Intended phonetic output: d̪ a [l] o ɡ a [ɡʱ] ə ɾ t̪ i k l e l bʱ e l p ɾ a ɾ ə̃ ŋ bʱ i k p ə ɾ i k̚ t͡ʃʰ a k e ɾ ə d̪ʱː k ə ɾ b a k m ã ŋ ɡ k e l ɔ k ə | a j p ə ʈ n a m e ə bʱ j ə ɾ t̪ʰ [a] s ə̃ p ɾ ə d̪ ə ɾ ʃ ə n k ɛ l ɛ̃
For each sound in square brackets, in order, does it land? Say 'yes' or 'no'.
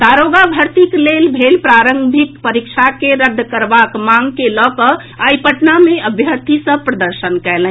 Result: no, no, no

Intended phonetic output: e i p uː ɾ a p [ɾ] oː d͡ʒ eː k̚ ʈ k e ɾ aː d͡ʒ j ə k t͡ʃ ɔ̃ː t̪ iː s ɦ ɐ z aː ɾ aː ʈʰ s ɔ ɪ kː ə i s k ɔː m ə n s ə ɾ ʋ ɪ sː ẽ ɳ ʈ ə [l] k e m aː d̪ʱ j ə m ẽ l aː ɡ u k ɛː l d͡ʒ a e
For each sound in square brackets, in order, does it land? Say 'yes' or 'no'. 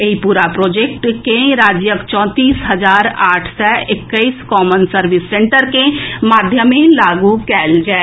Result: yes, no

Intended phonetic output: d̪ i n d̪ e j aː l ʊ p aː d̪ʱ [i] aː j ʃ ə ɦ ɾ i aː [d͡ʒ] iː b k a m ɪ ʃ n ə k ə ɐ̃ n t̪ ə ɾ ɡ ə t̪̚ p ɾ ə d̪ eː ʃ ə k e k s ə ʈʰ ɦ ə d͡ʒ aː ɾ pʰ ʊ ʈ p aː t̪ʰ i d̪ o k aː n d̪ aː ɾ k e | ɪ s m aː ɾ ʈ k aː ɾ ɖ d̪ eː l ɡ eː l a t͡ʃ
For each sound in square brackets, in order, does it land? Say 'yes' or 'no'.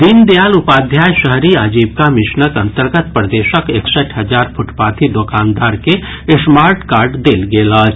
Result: no, yes

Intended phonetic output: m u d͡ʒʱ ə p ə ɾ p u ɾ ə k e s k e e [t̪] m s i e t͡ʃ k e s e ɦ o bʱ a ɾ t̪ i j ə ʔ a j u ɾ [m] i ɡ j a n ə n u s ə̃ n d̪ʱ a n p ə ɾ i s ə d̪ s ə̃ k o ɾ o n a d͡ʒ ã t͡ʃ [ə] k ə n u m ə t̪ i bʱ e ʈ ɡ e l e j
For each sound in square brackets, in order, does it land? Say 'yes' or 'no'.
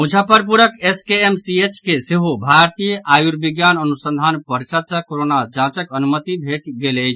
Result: no, no, yes

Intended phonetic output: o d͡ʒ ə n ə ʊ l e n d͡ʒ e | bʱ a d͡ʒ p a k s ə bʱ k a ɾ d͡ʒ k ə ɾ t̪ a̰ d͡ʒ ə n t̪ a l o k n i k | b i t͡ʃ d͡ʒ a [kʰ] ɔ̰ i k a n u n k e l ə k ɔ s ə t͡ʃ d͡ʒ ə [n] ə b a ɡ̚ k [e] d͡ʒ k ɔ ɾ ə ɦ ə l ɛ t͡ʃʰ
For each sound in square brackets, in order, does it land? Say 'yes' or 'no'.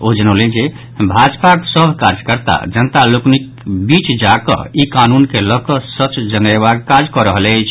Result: no, yes, no

